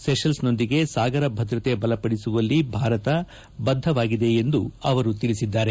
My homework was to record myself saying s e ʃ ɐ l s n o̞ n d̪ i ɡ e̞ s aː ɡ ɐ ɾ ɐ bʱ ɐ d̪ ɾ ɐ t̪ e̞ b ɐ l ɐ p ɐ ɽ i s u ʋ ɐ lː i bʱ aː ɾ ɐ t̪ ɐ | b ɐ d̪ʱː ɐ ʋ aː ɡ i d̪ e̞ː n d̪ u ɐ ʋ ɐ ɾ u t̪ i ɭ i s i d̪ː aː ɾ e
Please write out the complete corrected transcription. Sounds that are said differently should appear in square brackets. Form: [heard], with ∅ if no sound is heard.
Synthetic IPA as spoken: s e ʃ ɐ l s n o̞ n d̪ i ɡ e̞ s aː ɡ ɐ ɾ ɐ bʱ ɐ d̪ ɾ ɐ t̪ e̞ b ɐ l ɐ p ɐ ɽ i s u ʋ ɐ lː i bʱ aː ɾ ɐ t̪ ɐ | b ɐ d̪ʱː ɐ ʋ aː ɡ i d̪ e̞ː n d̪ u ɐ ʋ ɐ ɾ u t̪ i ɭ i s i d̪ː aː ɾ e